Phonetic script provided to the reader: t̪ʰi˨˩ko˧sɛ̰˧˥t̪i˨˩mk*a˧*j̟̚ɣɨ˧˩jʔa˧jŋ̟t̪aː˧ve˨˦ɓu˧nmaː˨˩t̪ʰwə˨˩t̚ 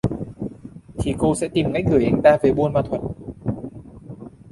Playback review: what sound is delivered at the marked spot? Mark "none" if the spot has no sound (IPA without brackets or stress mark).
a˦˥